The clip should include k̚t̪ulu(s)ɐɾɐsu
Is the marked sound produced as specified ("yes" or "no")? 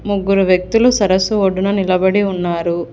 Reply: yes